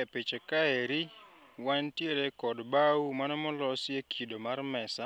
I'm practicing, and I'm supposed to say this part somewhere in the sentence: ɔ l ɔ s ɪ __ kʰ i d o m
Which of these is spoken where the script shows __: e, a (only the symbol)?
e